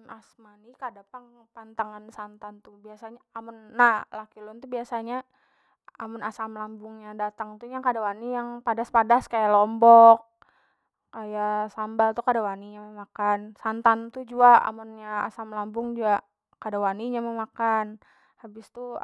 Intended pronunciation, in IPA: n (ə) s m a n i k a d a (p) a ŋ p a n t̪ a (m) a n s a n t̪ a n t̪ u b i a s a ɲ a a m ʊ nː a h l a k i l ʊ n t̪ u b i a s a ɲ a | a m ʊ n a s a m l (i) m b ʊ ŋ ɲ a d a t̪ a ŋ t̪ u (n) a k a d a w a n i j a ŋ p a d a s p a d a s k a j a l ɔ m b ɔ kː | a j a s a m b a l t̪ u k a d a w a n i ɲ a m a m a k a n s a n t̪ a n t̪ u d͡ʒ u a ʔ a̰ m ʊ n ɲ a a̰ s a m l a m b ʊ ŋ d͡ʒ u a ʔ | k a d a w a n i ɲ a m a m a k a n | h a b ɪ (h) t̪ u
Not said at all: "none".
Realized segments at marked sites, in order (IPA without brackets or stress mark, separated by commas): a, p, ŋ, a, ɲ, s